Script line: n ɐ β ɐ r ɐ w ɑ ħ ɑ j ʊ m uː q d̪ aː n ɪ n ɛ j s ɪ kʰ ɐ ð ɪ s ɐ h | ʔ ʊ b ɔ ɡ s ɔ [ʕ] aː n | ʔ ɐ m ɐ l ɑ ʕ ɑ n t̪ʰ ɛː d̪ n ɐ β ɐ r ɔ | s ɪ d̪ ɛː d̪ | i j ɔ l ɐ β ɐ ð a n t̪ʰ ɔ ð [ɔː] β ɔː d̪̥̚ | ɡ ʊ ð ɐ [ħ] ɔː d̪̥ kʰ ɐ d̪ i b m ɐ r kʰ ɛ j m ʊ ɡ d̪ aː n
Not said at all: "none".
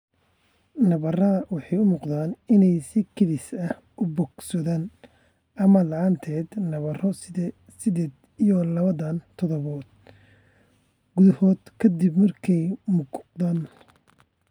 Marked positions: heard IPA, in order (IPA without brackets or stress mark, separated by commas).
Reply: ð, ɔ, h